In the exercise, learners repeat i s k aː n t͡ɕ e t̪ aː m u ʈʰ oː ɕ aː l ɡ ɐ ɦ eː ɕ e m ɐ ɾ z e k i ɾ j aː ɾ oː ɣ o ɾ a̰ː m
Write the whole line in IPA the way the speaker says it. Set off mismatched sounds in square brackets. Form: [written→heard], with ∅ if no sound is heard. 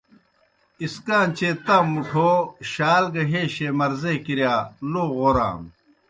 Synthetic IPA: i s k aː n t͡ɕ e t̪ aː m u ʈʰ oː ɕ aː l ɡ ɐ ɦ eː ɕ e m ɐ ɾ z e k i ɾ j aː [ɾ→l] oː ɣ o ɾ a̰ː m